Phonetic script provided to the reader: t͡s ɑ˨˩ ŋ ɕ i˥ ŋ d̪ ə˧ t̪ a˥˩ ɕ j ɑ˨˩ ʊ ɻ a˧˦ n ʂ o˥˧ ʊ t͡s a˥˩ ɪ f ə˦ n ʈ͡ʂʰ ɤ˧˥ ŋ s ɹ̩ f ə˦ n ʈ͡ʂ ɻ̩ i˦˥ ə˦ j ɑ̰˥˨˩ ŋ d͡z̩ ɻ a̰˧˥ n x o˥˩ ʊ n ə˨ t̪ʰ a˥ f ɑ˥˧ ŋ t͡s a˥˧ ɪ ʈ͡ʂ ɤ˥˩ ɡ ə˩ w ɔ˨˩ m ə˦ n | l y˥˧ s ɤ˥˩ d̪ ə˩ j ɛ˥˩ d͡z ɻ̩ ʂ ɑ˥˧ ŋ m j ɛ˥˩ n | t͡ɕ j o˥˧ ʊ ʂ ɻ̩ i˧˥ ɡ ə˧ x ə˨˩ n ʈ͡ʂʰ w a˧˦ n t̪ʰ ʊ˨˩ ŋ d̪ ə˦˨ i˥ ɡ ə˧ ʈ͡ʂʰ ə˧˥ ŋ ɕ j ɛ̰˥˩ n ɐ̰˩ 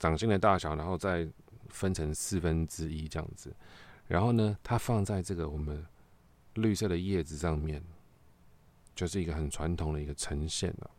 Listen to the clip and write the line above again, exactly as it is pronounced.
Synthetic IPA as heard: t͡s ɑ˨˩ ŋ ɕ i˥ ŋ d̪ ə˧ t̪ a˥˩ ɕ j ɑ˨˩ ʊ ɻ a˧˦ n x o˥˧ ʊ t͡s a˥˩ ɪ f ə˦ n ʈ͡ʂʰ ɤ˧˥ ŋ s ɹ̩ f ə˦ n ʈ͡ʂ ɻ̩ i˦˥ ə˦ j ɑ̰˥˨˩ ŋ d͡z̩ ɻ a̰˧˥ n x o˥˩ ʊ n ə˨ t̪ʰ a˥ f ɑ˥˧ ŋ t͡s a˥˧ ɪ ʈ͡ʂ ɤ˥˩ ɡ ə˩ w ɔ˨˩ m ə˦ n | l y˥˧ s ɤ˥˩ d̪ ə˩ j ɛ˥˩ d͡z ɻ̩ ʂ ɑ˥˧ ŋ m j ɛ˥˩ n | t͡ɕ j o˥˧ ʊ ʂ ɻ̩ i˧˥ ɡ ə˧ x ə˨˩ n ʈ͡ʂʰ w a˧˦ n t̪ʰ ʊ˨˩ ŋ d̪ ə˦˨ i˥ ɡ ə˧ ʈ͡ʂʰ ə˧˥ ŋ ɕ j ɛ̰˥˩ n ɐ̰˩